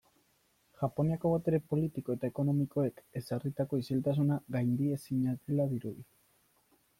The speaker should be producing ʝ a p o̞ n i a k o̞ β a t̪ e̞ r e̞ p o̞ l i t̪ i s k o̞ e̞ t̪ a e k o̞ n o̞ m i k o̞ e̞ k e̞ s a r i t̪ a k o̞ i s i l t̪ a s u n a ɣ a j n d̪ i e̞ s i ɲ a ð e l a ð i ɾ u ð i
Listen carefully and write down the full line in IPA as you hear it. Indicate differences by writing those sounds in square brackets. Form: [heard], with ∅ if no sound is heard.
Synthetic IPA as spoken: ʝ a p o̞ n i a k o̞ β a t̪ e̞ [ɾ] e̞ p o̞ l i t̪ i [∅] k o̞ e̞ t̪ a e k o̞ n o̞ m i k o̞ e̞ k e̞ s a r i t̪ a k o̞ i s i l t̪ a s u n a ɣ a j n d̪ i e̞ s i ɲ a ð e l a ð i ɾ u ð i